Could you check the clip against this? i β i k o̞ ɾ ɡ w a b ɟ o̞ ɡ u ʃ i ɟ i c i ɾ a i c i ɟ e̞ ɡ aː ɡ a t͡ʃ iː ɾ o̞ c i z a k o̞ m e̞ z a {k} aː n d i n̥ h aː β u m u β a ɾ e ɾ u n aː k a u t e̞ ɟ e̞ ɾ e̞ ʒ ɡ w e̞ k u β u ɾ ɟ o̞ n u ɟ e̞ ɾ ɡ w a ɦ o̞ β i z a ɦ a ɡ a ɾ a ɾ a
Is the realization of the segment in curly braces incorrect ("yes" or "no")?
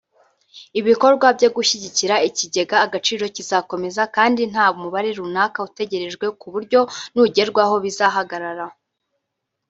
no